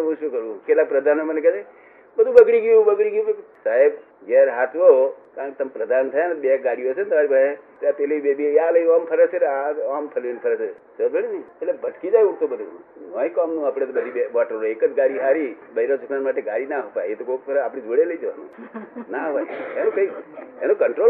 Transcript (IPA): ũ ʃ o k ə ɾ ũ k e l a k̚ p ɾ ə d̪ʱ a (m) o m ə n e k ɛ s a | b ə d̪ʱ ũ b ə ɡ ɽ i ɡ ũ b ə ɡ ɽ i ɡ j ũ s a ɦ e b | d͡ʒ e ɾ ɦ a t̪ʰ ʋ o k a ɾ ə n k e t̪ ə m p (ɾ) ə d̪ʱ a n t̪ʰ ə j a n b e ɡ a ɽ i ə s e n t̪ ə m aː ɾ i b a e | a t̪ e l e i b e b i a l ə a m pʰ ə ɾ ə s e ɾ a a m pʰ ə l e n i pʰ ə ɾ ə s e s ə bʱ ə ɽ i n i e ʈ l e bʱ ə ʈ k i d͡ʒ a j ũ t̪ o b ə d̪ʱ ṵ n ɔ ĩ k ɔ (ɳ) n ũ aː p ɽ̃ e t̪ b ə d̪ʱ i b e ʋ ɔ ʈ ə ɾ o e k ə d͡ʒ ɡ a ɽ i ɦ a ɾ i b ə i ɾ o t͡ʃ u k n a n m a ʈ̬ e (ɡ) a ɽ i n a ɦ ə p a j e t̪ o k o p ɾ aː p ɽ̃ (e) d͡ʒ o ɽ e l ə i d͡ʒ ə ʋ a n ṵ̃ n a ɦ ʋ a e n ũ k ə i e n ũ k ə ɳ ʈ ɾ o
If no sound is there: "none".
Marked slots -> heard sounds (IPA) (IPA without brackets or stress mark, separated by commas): n, ɾ, m, ɡ, i